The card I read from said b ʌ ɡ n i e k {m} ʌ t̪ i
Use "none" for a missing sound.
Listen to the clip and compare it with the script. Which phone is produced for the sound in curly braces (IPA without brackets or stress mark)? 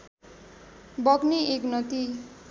n